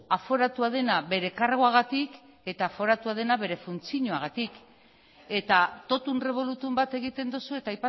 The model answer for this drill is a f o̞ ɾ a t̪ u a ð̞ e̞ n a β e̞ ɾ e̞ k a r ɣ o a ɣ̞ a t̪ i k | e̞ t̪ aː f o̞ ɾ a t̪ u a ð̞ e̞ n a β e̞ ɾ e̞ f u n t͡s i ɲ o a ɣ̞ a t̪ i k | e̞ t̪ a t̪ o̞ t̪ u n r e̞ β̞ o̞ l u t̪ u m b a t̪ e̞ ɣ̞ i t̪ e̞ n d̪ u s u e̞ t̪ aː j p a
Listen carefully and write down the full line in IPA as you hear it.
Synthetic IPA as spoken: a f o̞ ɾ a t̪ u a ð̞ e̞ n a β e̞ ɾ e̞ k a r ɣ o a ɣ̞ a t̪ i k | e̞ t̪ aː f o̞ ɾ a t̪ u a ð̞ e̞ n a β e̞ ɾ e̞ f u n t͡s i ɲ o a ɣ̞ a t̪ i k | e̞ t̪ a t̪ o̞ t̪ u n r e̞ β̞ o̞ l u t̪ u m b a t̪ e̞ ɣ̞ i t̪ e̞ n d̪ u s u e̞ t̪ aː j p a